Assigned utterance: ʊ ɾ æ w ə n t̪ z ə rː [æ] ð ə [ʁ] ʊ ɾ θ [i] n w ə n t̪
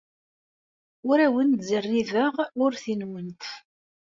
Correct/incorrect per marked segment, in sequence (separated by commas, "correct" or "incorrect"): incorrect, correct, correct